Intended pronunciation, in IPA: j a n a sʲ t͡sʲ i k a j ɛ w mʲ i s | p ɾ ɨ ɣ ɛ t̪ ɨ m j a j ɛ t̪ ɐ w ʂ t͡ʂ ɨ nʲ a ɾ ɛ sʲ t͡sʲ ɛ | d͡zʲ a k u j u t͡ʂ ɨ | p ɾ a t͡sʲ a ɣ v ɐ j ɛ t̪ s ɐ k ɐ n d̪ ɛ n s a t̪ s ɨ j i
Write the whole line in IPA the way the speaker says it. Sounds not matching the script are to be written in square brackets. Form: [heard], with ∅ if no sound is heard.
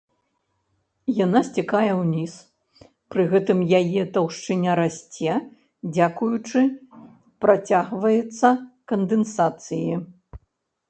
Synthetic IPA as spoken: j a n a sʲ t͡sʲ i k a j ɛ w [nʲ] i s | p ɾ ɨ ɣ ɛ t̪ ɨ m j a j ɛ t̪ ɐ w ʂ t͡ʂ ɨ nʲ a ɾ [a] sʲ t͡sʲ ɛ | d͡zʲ a k u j u t͡ʂ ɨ | p ɾ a t͡sʲ a ɣ v ɐ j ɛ t̪ [sː] ɐ k ɐ n d̪ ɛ n s a t̪ s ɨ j i

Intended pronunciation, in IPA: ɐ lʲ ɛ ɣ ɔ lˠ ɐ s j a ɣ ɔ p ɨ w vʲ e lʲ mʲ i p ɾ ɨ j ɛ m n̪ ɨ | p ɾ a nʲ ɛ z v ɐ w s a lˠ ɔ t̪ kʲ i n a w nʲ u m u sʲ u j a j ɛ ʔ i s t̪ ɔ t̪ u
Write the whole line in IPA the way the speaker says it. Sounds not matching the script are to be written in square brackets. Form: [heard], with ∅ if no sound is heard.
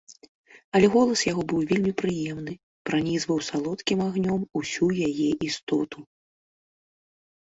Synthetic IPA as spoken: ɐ lʲ ɛ ɣ ɔ lˠ ɐ s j a ɣ ɔ [b] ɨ w vʲ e lʲ mʲ i p ɾ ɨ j ɛ m n̪ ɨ | p ɾ a nʲ [i] z v ɐ w s a lˠ ɔ t̪ kʲ i [m] a [ɣ] nʲ [ɔ] m u sʲ u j a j ɛ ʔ i s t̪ ɔ t̪ u

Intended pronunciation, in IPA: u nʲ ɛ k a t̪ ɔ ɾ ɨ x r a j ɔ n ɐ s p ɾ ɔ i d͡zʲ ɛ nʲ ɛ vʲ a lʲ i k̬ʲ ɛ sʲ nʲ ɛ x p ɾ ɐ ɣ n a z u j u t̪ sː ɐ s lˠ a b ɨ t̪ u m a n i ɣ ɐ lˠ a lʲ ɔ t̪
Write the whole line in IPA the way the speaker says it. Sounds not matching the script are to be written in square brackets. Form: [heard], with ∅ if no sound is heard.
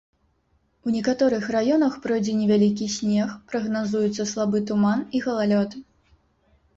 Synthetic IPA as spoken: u nʲ ɛ k a t̪ ɔ ɾ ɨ x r a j ɔ n ɐ [x] p ɾ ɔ [j] d͡zʲ ɛ nʲ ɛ vʲ a lʲ i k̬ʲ [i] sʲ nʲ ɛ x p ɾ ɐ ɣ n a z u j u t̪ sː ɐ s lˠ a b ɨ t̪ u m a n i ɣ ɐ lˠ a lʲ ɔ t̪

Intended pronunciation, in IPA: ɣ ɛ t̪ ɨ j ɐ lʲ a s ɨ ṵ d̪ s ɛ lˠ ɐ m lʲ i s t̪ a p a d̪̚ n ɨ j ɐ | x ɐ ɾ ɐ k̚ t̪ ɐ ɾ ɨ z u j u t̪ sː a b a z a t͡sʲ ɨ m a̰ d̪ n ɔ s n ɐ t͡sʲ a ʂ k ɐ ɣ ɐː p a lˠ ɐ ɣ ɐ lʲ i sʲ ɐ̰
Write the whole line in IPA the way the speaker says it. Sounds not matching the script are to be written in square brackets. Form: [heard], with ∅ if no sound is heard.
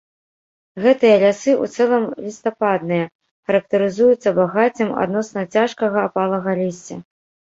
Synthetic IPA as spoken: ɣ ɛ t̪ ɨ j ɐ lʲ a s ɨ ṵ [t̪] s ɛ lˠ ɐ m lʲ i s t̪ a p a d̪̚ n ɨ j ɐ | x ɐ ɾ ɐ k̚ t̪ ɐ ɾ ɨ z u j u t̪ sː [ɐ] b a [ɣ] a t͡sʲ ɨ m a̰ d̪ n ɔ s n ɐ t͡sʲ a ʂ k ɐ ɣ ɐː p a lˠ ɐ ɣ ɐ lʲ i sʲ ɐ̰

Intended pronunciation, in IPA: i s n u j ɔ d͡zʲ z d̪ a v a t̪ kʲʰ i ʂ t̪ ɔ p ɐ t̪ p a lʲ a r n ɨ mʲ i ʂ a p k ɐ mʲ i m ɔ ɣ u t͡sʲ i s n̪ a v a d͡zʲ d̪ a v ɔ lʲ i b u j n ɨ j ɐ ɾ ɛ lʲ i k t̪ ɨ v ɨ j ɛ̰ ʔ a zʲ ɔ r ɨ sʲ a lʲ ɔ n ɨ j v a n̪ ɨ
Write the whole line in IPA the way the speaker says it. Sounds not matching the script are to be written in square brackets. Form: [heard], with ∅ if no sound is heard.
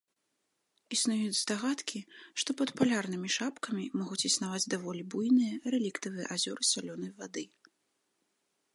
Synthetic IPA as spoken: i s n u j [u] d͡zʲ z d̪ a [ɣ] a t̪ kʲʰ i ʂ t̪ ɔ p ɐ t̪ p a lʲ a r n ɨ mʲ i ʂ a p k ɐ mʲ i m ɔ ɣ u t͡sʲ i s n̪ a v a d͡zʲ d̪ a v ɔ lʲ i b u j n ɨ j ɐ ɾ ɛ lʲ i k t̪ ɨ v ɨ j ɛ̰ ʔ a zʲ ɔ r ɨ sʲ a lʲ ɔ n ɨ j v a [d̪] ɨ

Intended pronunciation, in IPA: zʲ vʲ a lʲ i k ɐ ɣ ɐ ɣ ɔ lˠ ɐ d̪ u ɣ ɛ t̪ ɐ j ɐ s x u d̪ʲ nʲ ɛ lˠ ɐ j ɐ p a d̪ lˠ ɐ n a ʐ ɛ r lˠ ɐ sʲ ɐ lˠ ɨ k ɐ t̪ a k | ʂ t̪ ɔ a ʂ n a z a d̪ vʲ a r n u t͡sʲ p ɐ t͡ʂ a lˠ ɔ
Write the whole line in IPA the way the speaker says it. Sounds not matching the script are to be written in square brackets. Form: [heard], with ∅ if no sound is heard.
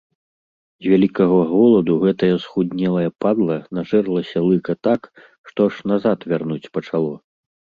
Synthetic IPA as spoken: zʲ vʲ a lʲ i k ɐ ɣ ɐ ɣ ɔ lˠ ɐ d̪ u ɣ ɛ t̪ ɐ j ɐ s x u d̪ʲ nʲ ɛ lˠ ɐ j ɐ p a d̪ lˠ ɐ n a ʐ ɛ r lˠ ɐ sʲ ɐ lˠ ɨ k ɐ t̪ a k | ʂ t̪ ɔ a ʂ n a z a [t̪] vʲ a r n u t͡sʲ p ɐ t͡ʂ a lˠ ɔ

